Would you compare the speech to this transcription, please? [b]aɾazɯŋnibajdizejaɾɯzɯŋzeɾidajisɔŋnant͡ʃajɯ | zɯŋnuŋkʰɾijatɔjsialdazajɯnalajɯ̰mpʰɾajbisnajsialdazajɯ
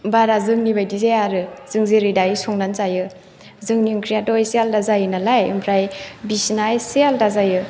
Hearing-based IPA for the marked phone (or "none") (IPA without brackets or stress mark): b